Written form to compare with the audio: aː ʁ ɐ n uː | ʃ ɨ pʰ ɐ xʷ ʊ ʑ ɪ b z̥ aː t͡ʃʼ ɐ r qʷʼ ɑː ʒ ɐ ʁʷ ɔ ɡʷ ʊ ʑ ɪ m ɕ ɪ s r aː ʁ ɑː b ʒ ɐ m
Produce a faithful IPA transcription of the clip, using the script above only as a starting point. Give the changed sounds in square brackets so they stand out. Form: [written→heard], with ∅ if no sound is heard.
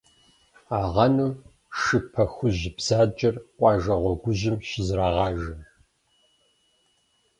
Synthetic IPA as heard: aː ʁ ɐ n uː | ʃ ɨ pʰ ɐ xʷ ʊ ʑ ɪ b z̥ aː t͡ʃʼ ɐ r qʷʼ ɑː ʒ ɐ ʁʷ ɔ ɡʷ ʊ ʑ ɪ m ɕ ɪ [s→z] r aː ʁ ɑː [b→∅] ʒ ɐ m